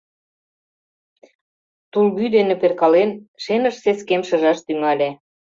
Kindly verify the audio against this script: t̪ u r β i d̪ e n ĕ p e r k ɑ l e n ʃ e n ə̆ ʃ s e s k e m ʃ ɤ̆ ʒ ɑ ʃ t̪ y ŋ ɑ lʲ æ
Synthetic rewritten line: t̪ u l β y d̪ e n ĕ p e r k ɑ l e n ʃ e n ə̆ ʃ s e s k e m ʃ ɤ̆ ʒ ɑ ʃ t̪ y ŋ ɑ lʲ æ